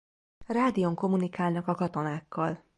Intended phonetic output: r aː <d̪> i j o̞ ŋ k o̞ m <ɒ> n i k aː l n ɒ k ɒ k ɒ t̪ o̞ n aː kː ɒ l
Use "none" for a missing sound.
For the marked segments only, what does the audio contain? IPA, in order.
d̪, u

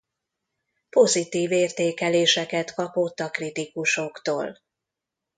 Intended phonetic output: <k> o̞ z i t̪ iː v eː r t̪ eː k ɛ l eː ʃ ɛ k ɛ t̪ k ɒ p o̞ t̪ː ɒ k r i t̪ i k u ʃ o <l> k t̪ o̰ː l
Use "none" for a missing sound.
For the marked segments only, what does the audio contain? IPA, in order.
p, none

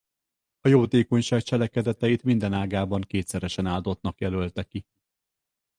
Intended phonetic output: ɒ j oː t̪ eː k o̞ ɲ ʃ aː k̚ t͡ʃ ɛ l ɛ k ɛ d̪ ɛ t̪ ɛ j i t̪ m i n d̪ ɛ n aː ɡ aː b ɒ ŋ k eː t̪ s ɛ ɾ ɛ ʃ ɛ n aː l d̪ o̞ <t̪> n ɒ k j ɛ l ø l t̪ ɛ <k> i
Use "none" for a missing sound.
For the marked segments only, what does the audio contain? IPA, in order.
t̪, k

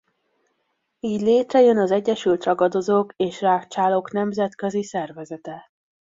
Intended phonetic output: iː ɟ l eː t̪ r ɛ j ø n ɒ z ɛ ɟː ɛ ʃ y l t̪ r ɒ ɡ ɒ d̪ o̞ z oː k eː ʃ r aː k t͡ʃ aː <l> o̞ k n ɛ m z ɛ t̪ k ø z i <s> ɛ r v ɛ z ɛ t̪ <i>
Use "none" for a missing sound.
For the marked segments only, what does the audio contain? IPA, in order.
l, s, ɛ

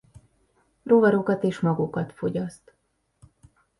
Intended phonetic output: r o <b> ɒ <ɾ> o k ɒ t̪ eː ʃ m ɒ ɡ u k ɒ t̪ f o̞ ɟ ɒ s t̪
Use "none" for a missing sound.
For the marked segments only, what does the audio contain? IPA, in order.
v, ɾ

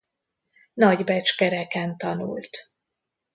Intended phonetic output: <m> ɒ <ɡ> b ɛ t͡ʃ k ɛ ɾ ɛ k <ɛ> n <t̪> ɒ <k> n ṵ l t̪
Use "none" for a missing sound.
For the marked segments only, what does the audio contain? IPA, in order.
n, ɟ, ɛ, t̪, none

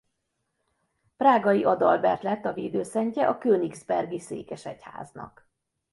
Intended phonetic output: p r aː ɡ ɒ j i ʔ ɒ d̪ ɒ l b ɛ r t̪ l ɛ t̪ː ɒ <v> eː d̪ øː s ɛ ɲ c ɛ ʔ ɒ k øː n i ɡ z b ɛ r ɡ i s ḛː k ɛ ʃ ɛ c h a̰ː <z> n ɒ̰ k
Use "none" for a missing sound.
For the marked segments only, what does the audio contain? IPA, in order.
v, z

